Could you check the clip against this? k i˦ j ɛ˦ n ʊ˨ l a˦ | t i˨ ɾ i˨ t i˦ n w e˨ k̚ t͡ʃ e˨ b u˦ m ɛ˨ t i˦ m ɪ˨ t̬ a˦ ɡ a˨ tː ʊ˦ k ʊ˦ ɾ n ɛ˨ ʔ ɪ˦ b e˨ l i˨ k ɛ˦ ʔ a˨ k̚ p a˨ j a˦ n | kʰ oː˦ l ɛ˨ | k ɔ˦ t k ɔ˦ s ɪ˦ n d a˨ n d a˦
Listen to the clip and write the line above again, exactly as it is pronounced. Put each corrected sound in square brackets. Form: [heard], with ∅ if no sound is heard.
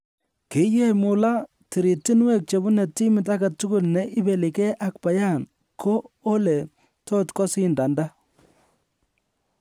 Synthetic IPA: k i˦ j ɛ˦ [m] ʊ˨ l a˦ | t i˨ ɾ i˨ t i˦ n w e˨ k̚ t͡ʃ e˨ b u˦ [n] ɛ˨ t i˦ m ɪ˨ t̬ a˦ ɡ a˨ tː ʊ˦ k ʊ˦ [l] n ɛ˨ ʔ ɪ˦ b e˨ l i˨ k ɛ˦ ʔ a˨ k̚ p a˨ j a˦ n | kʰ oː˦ l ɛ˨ | [t] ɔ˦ t k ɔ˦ s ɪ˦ n d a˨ n d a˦